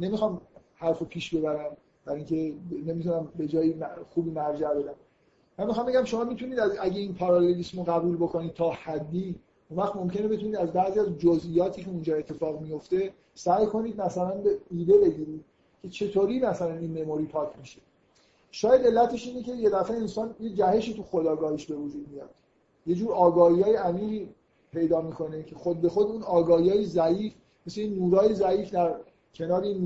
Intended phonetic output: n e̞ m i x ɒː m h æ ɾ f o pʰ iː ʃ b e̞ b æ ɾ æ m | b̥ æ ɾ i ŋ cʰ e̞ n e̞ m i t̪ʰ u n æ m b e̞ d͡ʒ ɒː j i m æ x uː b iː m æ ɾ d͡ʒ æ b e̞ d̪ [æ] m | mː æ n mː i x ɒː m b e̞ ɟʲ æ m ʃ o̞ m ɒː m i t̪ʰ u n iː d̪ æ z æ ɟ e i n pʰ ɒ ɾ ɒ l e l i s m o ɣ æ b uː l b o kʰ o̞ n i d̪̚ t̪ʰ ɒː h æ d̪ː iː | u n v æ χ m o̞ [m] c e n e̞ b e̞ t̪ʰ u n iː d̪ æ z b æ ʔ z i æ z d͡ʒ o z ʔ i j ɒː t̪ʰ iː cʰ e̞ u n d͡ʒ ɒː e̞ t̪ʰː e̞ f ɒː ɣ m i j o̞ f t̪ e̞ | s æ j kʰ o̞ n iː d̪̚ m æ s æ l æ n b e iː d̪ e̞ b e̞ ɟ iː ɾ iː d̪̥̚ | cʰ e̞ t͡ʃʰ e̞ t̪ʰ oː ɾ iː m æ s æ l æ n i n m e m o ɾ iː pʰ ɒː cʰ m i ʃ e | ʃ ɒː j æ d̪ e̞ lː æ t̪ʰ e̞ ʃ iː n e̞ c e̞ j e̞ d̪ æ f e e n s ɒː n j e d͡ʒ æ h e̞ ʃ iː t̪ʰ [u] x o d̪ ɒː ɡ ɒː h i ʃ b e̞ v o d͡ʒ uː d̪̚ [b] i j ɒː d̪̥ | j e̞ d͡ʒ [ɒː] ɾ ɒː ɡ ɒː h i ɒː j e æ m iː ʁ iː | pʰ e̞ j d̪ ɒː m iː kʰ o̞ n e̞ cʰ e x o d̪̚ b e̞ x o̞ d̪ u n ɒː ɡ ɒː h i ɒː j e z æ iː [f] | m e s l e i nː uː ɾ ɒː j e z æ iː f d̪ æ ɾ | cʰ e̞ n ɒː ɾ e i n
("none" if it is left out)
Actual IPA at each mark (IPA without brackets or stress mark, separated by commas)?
æ, m, u, m, uː, f